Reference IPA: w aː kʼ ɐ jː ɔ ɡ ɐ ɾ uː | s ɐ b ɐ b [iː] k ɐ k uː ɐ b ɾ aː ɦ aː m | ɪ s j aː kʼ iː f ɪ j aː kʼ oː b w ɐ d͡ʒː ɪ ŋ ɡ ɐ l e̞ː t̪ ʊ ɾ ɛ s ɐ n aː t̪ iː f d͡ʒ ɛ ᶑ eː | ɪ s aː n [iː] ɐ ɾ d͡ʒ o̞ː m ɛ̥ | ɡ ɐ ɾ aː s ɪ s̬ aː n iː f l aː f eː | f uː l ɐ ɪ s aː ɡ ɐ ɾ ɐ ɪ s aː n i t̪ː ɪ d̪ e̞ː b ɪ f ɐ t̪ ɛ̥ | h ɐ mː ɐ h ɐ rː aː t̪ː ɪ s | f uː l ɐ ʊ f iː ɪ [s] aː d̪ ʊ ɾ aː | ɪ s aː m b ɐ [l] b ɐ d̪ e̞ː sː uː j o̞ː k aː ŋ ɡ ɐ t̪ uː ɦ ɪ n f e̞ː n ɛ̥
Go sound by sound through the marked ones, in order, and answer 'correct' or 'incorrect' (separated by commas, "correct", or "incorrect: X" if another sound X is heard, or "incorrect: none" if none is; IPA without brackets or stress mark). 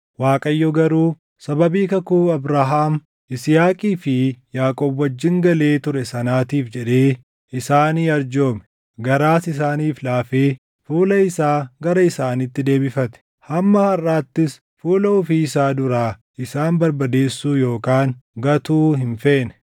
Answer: correct, correct, correct, incorrect: ɾ